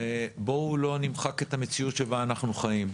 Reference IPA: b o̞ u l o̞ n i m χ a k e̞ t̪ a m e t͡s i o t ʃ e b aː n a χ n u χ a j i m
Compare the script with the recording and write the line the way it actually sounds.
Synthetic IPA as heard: b o̞ u l o̞ n i m χ a k e̞ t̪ a m e t͡s i u t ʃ e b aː n a χ n u χ a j i m

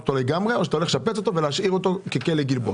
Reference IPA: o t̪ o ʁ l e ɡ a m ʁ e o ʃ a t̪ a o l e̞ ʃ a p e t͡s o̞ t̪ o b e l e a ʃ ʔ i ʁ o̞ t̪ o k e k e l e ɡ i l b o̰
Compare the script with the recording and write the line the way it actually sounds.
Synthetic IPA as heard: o t̪ o l e ɡ a m ʁ e o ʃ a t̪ a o l e̞ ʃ a p e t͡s o̞ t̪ o v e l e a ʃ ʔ i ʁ o̞ t̪ o k e k e l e ɡ i l b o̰

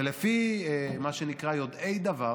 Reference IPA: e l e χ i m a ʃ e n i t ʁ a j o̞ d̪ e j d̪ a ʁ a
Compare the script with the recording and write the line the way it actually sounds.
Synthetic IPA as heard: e l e f i m a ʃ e n i k ʁ a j o̞ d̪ e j d̪ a v a

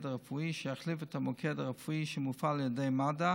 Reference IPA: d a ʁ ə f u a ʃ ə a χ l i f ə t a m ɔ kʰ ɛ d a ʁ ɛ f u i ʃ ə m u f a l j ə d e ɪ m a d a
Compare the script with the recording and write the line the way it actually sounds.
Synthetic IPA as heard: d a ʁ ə f u i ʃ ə a χ l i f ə t a m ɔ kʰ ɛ d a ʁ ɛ f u i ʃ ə m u f a l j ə d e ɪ m a d a

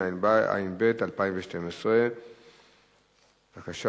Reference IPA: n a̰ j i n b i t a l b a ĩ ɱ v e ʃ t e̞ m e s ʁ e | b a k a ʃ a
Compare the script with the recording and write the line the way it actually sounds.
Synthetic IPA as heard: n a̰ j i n b e t a l p a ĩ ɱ v e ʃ t e̞ m e s ʁ e | v a k a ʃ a

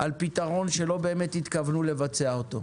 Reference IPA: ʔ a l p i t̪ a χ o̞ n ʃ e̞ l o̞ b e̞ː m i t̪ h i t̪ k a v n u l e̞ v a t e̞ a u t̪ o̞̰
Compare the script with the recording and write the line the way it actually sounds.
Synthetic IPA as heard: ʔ a l p i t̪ a ʁ o̞ n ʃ e̞ l o̞ b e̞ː m e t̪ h i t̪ k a v n u l e̞ v a t͡s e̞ a o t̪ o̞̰

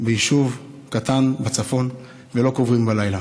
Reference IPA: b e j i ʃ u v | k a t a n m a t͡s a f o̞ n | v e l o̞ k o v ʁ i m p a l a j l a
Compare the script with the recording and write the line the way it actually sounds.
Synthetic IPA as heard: b e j i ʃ u v | k a t a n b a t͡s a f o̞ n | v e l o̞ k o v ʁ i m b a l a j l a

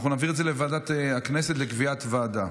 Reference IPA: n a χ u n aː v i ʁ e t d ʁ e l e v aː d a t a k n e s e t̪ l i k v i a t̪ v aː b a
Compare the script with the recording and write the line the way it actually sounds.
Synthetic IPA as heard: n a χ u n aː v i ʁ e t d z e l e v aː d a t a k n e s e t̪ l e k v i a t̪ v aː d a

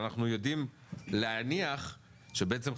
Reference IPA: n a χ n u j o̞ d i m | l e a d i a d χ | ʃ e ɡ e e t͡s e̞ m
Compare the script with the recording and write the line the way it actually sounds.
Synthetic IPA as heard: n a χ n u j o̞ d i m | l e a n i a χ | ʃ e b e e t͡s e̞ m

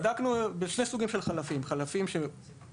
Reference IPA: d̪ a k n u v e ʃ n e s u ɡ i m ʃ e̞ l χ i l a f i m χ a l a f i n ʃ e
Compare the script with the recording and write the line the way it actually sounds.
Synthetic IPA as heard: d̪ a k n u b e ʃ n e s u ɡ i m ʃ e̞ l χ a l a f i m χ a l a f i m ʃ e

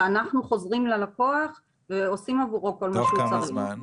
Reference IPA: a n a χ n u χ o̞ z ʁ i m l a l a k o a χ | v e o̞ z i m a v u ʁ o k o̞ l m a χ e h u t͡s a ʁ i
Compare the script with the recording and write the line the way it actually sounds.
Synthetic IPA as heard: a n a χ n u χ o̞ z ʁ i m l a l a k o a χ | v e o̞ s i m a v u ʁ o k o̞ l m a ʃ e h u t͡s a ʁ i

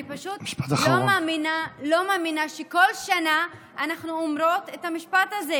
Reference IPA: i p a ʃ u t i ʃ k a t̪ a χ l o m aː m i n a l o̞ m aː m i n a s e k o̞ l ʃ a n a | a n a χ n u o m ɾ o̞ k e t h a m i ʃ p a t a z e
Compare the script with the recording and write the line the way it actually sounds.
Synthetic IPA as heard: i p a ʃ u t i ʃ p a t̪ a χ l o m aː m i n a l o̞ m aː m i n a ʃ e k o̞ l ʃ a n a | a n a χ n u o m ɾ o̞ t e t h a m i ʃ p a t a z e

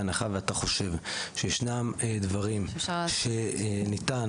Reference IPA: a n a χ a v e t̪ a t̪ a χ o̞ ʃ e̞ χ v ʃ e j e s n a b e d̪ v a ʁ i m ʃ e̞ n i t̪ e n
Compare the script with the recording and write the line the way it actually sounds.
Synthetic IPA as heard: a n a χ a v e a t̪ a χ o̞ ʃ e̞ v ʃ e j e ʃ n a m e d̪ v a ʁ i m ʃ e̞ n i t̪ a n

